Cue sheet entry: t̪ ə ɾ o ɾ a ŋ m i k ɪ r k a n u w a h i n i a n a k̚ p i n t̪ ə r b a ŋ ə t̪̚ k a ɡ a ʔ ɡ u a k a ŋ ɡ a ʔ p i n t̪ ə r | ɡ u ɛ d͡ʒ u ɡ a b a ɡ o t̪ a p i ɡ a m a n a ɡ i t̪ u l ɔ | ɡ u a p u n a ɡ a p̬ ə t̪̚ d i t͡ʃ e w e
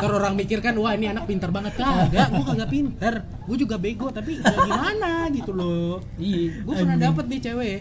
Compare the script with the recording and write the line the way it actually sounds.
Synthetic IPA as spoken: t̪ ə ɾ o ɾ a ŋ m i k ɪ r k a n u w a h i n i a n a k̚ p i n t̪ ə r b a ŋ ə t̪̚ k a ɡ a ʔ ɡ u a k a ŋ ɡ a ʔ p i n t̪ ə r | ɡ u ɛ d͡ʒ u ɡ a b e ɡ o t̪ a p i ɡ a m a n a ɡ i t̪ u l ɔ | ɡ u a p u n a d a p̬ ə t̪̚ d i t͡ʃ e w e